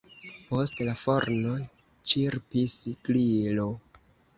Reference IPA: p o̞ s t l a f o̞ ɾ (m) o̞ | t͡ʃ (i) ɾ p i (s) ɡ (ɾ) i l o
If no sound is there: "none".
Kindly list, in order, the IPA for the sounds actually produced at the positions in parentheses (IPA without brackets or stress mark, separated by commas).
n, i, s, l